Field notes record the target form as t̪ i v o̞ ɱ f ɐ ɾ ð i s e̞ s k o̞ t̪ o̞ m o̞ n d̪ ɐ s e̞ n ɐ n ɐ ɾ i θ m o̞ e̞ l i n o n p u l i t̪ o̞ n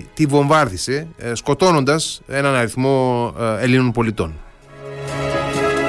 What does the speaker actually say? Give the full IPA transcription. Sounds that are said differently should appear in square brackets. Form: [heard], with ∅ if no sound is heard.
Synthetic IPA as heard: t̪ i v o̞ ɱ [v] ɐ ɾ ð i s e̞ s k o̞ t̪ o̞ [n] o̞ n d̪ ɐ s e̞ n ɐ n ɐ ɾ i θ m o̞ e̞ l i n o n p [o] l i t̪ o̞ n